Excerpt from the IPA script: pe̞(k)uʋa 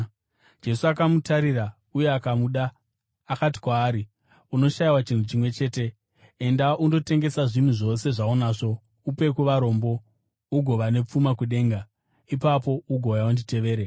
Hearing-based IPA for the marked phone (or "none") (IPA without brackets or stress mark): k